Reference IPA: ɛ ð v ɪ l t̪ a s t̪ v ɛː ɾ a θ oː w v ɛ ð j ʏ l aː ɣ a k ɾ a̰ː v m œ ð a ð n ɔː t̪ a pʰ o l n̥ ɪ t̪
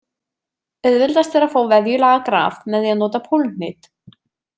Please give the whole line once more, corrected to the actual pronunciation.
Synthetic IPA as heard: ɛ ð v ɪ l t̪ a s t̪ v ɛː ɾ a f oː w v ɛ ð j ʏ l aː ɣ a k ɾ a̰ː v m ɛ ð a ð n ɔː t̪ a pʰ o l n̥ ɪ t̪